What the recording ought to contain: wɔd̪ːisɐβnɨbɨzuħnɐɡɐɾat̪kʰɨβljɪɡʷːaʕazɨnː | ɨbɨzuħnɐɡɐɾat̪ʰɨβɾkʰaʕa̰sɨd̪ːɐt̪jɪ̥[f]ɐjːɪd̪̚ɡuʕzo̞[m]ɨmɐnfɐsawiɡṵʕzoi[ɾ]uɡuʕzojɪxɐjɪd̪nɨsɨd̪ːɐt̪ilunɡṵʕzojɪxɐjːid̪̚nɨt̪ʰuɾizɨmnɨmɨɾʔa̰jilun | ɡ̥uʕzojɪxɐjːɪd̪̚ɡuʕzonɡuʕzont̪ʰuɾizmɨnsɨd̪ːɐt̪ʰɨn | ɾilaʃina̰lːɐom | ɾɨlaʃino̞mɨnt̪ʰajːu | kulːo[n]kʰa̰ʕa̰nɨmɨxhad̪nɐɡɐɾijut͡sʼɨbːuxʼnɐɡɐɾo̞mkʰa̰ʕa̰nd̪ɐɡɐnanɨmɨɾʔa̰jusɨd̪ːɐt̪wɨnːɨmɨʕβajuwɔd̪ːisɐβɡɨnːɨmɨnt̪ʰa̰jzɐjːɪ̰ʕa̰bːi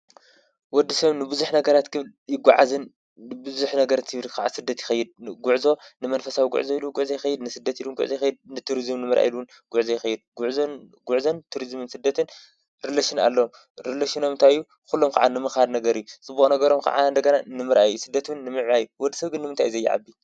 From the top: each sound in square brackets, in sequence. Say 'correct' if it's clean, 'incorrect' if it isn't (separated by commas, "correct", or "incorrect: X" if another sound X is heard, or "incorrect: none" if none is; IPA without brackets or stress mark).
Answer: incorrect: x, incorrect: n, incorrect: l, incorrect: m